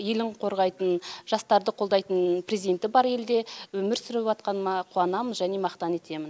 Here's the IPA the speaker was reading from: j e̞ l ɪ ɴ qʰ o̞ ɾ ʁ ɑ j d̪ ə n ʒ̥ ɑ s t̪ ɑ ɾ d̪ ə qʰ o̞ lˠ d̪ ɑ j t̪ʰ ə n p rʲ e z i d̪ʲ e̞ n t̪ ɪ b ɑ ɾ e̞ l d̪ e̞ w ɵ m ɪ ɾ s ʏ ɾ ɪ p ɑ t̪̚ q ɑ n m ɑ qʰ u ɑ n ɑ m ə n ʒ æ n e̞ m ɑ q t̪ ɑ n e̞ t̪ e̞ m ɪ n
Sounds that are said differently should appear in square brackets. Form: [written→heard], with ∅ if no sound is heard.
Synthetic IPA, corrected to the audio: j e̞ l ɪ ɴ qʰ o̞ ɾ ʁ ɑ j [d̪→t̪] ə n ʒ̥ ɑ s t̪ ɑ ɾ d̪ ə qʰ o̞ lˠ d̪ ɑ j [t̪ʰ→t̪] ə n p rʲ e z i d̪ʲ e̞ n t̪ ɪ b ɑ ɾ e̞ l d̪ e̞ w ɵ m ɪ ɾ s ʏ ɾ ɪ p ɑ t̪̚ q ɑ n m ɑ qʰ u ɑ n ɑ m ə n ʒ æ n e̞ m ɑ q t̪ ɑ n e̞ t̪ e̞ m ɪ n

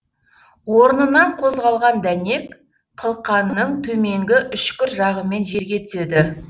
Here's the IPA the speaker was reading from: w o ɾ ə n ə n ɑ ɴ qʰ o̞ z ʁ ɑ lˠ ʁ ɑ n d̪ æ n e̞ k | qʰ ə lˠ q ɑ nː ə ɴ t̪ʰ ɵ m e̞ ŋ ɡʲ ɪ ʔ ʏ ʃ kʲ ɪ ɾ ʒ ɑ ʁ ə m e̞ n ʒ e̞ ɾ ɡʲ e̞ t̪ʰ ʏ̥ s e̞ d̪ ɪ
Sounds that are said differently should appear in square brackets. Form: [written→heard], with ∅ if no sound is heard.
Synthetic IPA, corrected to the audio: w o ɾ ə n ə n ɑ ɴ qʰ o̞ z ʁ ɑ lˠ ʁ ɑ n d̪ æ n e̞ k | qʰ ə lˠ q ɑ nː ə ɴ t̪ʰ ɵ m e̞ ŋ ɡʲ ɪ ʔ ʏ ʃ kʲ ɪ ɾ ʒ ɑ ʁ ə m e̞ n ʒ e̞ ɾ ɡʲ e̞ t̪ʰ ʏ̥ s e̞ d̪ ɪ

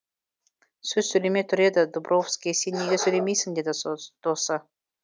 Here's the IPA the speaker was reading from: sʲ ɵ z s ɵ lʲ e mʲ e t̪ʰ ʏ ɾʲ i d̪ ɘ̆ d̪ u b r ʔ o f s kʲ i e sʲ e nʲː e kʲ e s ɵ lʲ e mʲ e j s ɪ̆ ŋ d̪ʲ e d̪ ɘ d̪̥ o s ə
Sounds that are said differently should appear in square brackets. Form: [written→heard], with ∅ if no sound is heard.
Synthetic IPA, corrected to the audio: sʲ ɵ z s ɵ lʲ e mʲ e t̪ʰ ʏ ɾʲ [i→e] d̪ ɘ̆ d̪ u b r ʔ o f s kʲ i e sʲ e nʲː e [kʲ→ɡʲ] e s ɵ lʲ e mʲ e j s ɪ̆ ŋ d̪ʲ e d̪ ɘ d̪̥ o s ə

